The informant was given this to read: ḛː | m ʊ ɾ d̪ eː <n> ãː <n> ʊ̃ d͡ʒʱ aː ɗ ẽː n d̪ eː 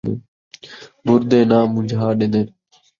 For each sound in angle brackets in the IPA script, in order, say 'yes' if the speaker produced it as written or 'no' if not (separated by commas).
yes, no